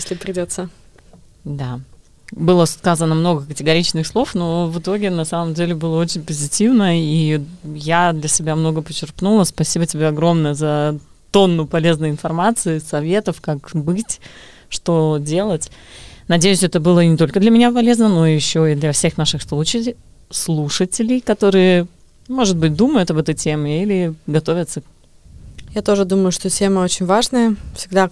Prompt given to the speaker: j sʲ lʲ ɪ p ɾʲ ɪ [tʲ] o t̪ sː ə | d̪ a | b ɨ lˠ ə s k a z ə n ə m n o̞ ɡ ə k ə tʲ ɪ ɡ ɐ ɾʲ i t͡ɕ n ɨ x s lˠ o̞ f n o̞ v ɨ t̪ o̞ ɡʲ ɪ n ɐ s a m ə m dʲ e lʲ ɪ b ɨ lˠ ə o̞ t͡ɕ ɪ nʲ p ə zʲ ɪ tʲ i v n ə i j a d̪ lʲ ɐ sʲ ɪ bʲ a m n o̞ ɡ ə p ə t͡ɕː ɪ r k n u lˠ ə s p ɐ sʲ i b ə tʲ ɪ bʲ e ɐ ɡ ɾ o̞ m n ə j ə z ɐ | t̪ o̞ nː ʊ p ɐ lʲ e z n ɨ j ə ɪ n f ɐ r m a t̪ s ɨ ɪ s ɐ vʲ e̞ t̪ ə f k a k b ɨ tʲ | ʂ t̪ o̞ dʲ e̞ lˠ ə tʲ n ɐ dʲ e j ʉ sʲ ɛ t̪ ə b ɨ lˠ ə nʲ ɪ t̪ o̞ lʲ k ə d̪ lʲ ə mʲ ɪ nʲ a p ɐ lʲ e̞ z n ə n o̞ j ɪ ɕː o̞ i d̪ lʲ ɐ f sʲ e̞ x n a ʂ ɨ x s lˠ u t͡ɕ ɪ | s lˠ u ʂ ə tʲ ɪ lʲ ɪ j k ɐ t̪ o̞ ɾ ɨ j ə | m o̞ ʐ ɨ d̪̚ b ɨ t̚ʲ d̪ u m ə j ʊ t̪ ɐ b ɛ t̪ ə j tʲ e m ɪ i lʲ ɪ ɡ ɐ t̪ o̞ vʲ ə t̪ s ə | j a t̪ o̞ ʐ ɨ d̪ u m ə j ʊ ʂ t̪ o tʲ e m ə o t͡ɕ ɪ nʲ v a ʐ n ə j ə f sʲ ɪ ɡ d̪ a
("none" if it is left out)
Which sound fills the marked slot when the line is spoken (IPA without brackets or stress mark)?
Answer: dʲ